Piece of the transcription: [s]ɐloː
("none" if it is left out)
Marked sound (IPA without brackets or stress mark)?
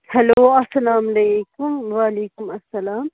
h